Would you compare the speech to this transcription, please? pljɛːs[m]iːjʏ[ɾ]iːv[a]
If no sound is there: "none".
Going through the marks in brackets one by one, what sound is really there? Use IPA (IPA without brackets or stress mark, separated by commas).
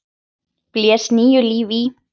n, l, i